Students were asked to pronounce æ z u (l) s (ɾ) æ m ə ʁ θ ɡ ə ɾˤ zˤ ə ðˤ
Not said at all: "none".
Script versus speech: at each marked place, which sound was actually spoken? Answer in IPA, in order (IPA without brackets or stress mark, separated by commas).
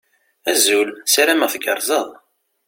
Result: l, ɾ